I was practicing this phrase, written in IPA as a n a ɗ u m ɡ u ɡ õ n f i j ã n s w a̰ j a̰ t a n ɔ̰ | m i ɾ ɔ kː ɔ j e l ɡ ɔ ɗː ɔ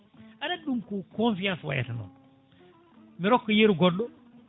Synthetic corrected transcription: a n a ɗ u m k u k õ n f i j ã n s w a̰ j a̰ t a n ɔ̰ | m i ɾ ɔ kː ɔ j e ɾ ɡ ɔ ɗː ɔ